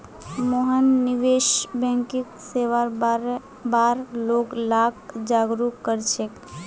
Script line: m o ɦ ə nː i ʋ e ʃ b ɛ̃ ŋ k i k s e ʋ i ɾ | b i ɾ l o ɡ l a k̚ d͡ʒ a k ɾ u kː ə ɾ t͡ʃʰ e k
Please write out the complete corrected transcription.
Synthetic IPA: m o ɦ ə nː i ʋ e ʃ b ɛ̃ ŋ k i k s e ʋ a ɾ | b a ɾ l o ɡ l a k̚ d͡ʒ a ɡ ɾ u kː ə ɾ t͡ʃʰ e k